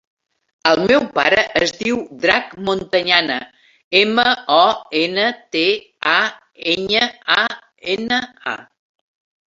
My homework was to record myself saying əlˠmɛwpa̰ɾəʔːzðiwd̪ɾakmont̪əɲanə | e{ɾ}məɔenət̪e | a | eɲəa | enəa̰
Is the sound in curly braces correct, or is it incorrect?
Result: incorrect